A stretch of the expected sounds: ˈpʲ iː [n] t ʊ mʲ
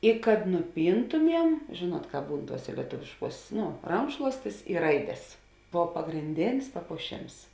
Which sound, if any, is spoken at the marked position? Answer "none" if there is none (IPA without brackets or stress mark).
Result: n